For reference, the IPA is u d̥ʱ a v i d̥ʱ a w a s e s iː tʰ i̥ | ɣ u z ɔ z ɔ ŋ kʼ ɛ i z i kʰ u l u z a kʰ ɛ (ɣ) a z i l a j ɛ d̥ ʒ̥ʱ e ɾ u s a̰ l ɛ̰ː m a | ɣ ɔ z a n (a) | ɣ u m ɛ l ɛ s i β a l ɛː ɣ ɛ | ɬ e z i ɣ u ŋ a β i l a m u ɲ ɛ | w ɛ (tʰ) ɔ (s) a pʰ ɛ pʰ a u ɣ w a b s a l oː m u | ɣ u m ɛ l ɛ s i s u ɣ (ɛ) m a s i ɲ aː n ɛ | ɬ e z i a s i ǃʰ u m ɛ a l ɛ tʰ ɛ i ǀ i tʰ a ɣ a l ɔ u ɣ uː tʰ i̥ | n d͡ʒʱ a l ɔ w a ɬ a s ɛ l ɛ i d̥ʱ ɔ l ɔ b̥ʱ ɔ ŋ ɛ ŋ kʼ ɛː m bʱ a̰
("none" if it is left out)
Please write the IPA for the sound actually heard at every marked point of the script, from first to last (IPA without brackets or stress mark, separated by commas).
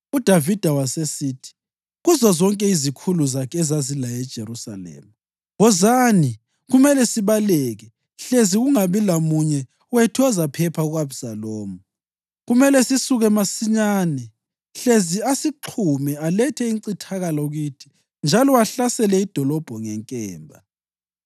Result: z, i, tʰ, z, ɛ